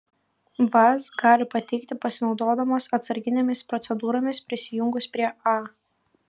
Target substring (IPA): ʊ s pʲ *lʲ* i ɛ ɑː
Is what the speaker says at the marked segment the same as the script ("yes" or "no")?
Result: no